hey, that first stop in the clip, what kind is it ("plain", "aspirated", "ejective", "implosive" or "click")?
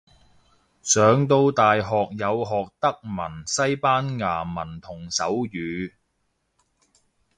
plain